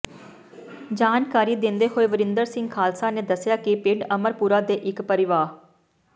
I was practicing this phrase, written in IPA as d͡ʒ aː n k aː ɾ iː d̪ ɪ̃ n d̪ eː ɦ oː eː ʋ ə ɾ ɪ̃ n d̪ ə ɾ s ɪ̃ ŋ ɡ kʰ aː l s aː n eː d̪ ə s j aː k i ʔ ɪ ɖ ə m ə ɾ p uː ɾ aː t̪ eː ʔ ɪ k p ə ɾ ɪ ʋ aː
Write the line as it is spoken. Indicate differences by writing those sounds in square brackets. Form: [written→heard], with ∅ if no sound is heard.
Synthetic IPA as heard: d͡ʒ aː n k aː ɾ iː d̪ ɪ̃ n d̪ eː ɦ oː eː ʋ ə ɾ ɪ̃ n d̪ ə ɾ s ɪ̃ ŋ ɡ kʰ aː l s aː n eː d̪ ə s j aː k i [ʔ→p] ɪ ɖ ə m ə ɾ p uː ɾ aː [t̪→d̪] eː ʔ ɪ k p ə ɾ ɪ ʋ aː